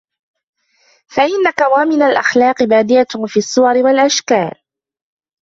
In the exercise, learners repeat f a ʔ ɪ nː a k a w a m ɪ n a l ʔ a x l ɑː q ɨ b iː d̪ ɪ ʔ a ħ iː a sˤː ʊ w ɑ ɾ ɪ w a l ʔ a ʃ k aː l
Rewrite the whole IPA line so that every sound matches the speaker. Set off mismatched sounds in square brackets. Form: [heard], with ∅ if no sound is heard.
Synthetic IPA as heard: f a ʔ ɪ nː a k a w a m ɪ n a l ʔ a x l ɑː q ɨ b [aː] d̪ ɪ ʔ a [f] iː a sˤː ʊ w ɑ ɾ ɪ w a l ʔ a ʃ k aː l